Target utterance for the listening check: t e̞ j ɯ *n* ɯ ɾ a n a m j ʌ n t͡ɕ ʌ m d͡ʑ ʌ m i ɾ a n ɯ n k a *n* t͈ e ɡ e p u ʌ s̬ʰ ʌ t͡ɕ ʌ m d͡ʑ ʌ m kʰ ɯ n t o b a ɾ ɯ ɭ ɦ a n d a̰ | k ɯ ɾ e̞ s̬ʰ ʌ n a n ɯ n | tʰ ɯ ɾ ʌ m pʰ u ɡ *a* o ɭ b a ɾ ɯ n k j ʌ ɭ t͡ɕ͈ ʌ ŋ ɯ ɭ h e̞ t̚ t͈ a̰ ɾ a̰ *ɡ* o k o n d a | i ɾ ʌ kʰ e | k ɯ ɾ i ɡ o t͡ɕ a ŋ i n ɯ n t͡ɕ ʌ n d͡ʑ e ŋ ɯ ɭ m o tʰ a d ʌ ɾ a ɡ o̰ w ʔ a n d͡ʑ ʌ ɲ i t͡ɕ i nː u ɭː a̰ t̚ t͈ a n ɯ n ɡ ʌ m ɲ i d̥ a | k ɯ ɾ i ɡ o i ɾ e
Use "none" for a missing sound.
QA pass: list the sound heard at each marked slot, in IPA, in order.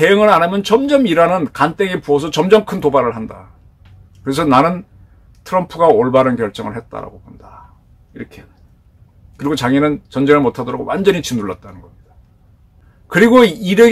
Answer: ŋ, n, a, ɡ

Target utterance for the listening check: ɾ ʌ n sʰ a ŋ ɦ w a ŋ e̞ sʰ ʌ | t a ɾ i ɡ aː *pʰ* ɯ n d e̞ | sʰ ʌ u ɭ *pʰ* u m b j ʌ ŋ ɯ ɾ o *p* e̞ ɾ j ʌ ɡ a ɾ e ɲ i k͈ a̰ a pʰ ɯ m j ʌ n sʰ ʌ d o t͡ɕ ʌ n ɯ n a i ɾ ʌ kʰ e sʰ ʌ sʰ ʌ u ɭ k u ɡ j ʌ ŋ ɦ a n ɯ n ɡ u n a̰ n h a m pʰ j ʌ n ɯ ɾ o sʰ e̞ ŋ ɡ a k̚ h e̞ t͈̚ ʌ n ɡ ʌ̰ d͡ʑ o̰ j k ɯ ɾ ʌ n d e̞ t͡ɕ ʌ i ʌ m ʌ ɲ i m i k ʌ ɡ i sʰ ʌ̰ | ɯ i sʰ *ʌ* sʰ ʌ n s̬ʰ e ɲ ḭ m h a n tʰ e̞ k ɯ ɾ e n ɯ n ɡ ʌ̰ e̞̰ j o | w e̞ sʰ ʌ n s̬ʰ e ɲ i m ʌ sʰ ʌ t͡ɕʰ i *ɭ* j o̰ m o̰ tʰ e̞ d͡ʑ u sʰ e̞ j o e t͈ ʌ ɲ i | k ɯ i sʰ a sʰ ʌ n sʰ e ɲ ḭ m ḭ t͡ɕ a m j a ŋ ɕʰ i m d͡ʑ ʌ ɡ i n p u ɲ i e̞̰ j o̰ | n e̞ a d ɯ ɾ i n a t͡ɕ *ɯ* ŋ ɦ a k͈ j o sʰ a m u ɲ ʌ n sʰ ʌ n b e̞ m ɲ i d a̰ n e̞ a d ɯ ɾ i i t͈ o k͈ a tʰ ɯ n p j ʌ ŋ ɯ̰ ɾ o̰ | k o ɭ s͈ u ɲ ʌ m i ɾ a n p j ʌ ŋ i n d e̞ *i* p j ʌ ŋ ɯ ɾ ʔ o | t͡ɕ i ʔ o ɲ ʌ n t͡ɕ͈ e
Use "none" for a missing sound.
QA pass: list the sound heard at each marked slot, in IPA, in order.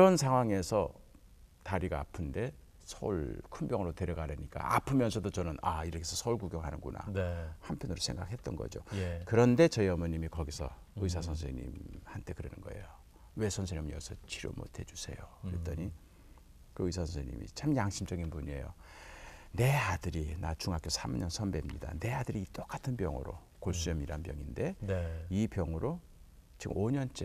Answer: pʰ, kʰ, t, a, ɾ, u, i

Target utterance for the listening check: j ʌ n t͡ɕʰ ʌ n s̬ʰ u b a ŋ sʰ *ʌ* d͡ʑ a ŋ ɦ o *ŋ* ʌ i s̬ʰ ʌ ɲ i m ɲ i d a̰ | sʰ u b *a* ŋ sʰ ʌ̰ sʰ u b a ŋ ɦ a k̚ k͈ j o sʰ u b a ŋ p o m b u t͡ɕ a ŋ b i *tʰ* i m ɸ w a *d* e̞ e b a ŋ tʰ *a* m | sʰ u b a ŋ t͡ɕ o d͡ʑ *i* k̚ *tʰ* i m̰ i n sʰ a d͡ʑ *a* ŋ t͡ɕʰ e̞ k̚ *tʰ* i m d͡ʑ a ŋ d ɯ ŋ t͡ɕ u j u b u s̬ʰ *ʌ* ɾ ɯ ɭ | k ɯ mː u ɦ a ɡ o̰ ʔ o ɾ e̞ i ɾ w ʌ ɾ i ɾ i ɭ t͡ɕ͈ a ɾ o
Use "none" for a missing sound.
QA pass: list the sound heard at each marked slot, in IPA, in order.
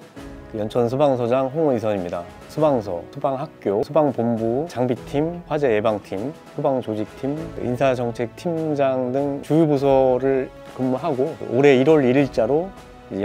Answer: ʌ, ŋ, a, tʰ, d͡ʑ, i, i, tʰ, ʌ, tʰ, ʌ

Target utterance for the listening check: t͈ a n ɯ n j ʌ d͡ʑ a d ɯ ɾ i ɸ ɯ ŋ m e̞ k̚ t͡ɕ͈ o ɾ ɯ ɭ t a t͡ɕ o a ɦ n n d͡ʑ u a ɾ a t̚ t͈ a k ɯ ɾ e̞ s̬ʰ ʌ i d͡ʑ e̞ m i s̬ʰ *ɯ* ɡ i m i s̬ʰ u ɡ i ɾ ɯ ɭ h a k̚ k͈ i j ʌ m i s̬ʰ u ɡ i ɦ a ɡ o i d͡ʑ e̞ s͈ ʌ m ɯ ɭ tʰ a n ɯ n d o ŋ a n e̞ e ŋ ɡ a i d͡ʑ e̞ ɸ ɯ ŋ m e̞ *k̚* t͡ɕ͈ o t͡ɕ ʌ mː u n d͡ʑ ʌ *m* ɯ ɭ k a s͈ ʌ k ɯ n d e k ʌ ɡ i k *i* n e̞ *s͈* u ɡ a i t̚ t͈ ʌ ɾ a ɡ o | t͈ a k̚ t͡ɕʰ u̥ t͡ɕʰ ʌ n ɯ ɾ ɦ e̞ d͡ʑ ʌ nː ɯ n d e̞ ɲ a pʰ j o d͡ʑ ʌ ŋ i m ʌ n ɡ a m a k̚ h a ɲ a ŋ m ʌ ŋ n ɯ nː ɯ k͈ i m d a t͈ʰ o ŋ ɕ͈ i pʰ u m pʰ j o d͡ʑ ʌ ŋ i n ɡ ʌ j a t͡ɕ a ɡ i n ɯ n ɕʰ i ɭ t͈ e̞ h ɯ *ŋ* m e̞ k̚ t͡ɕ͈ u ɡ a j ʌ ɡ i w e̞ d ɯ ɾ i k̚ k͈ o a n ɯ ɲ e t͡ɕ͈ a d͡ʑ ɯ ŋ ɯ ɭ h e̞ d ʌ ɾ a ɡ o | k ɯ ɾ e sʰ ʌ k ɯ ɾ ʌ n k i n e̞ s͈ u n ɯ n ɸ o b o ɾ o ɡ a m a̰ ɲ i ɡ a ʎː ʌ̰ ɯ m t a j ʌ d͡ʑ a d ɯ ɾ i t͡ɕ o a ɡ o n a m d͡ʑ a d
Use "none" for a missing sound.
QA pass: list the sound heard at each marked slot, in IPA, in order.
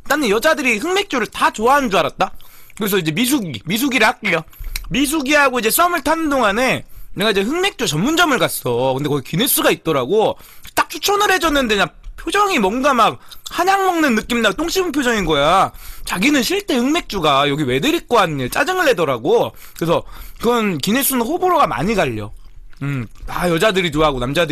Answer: u, k̚, m, i, s͈, ŋ

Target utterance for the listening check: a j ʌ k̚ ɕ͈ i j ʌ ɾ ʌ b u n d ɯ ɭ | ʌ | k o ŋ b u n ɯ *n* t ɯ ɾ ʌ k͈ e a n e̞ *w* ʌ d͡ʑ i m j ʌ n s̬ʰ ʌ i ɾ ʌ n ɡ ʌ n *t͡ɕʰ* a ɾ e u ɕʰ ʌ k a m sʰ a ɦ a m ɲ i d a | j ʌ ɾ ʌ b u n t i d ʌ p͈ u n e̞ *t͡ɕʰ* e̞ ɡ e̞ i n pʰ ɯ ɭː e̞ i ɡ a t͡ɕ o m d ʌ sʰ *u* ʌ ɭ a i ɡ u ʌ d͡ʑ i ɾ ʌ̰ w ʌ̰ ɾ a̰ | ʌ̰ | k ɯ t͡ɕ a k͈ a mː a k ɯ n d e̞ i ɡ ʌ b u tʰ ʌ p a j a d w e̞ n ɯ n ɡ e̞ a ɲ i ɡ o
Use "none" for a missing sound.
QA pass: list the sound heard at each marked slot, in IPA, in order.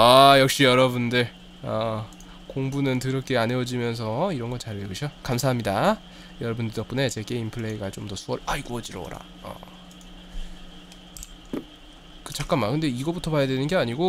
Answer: n, w, t͡ɕ, t͡ɕ, u

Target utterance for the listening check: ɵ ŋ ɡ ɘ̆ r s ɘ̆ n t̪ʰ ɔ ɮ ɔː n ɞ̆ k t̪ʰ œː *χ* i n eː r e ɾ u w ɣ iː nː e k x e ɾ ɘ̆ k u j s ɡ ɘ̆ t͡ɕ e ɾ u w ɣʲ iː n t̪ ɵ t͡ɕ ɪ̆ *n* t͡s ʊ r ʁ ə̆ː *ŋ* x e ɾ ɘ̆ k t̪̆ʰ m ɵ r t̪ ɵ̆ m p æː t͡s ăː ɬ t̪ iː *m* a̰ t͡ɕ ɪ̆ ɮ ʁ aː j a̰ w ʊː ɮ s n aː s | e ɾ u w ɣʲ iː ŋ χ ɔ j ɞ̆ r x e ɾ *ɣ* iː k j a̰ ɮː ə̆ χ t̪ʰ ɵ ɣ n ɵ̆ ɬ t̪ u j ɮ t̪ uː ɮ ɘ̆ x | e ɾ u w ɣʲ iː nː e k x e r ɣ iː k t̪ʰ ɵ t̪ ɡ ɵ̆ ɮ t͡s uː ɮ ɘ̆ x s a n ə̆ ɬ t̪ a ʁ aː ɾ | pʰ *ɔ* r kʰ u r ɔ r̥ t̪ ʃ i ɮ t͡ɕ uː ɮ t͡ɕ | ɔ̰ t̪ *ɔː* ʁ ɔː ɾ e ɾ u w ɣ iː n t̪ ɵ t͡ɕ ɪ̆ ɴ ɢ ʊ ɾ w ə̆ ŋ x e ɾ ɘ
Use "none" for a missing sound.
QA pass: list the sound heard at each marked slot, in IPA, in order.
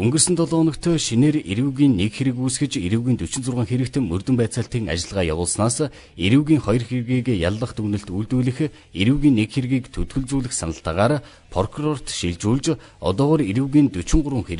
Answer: ʃ, n, ŋ, ŋ, ɣ, ɔ, ɔː

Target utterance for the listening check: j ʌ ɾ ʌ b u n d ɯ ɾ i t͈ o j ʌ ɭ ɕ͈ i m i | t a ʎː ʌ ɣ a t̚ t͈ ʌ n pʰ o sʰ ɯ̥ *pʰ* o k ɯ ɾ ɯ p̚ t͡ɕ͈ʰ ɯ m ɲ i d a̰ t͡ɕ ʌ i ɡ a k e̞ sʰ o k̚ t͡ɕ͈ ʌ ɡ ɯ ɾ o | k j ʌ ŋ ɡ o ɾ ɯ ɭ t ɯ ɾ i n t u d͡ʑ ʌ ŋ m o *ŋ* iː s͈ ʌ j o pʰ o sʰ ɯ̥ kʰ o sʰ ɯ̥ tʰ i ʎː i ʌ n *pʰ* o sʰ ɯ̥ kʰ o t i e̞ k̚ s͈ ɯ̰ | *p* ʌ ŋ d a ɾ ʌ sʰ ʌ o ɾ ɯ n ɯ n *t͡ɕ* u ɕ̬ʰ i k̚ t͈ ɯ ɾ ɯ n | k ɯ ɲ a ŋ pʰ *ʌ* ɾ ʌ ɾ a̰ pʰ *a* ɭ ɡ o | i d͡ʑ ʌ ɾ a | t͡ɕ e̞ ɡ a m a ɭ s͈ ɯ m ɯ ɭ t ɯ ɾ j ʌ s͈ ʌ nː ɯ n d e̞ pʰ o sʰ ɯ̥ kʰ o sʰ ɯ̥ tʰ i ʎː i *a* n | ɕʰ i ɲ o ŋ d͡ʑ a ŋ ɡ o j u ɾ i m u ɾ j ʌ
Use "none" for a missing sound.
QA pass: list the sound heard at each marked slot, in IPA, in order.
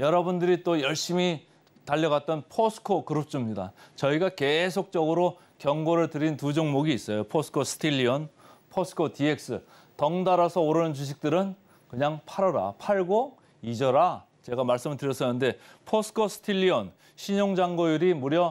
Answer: kʰ, ɡ, pʰ, t, t͡ɕ, a, a, ʌ

